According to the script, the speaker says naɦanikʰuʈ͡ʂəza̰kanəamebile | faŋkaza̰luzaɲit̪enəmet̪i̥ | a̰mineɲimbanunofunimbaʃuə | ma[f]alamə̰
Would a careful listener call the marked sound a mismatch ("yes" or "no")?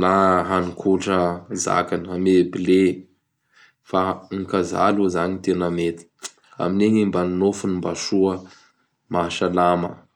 yes